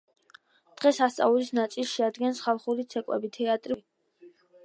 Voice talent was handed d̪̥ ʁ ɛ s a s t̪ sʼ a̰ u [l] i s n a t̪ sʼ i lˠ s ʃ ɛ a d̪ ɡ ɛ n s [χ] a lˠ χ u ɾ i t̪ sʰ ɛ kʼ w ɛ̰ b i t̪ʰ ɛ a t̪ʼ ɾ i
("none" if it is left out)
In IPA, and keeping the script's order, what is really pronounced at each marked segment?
l, χ

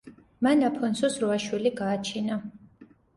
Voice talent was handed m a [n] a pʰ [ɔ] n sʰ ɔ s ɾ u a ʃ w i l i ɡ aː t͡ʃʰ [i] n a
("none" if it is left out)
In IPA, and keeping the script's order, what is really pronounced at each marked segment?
n, ɔ, i

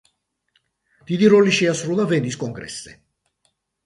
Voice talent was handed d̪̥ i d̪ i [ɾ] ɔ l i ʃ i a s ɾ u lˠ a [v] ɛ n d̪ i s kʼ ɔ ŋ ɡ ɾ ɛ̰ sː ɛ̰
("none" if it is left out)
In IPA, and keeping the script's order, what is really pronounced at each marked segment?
ɾ, v

